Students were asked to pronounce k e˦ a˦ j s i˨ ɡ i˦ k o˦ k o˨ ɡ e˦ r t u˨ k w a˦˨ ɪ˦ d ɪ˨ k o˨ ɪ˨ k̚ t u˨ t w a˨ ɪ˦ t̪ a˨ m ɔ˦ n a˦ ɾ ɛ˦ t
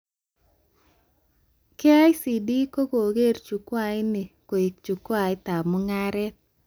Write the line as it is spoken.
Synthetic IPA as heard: k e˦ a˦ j s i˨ d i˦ k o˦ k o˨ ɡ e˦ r t͡ʃ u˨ k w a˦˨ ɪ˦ n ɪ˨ k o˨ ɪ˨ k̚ t͡ʃ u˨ k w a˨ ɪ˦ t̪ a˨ m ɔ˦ ŋ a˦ ɾ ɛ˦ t

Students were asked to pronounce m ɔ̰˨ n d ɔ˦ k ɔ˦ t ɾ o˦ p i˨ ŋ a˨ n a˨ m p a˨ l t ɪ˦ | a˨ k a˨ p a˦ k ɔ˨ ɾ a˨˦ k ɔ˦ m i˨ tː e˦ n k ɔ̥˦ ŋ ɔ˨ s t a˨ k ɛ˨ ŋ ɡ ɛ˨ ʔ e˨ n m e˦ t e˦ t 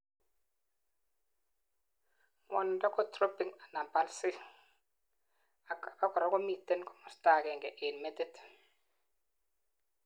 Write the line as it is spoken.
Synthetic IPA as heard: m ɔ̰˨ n d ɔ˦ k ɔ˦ t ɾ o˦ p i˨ ŋ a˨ n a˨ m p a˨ l s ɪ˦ | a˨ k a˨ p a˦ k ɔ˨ ɾ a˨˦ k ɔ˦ m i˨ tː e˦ n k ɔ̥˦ m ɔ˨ s t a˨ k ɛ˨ ŋ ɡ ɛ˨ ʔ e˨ n m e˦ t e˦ t

